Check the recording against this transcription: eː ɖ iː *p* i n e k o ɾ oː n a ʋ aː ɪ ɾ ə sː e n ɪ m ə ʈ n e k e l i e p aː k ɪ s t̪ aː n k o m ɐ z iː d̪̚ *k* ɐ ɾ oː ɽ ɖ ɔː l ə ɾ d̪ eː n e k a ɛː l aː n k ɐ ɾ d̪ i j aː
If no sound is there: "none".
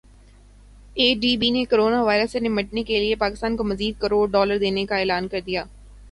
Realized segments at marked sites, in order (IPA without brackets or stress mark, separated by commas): b, k